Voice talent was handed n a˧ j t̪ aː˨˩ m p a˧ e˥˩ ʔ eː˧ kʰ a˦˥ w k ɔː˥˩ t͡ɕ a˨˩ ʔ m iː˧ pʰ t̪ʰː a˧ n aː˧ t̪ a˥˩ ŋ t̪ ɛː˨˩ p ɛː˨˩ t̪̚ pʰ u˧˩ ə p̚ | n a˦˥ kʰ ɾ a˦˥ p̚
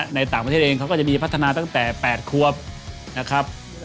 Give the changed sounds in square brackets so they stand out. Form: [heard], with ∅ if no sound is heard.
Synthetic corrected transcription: n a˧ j t̪ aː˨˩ [ŋ] p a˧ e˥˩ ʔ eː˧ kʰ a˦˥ w k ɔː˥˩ t͡ɕ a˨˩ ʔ m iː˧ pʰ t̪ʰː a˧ n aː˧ t̪ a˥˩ ŋ t̪ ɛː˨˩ p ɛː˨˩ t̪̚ [kʰ] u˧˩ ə p̚ | n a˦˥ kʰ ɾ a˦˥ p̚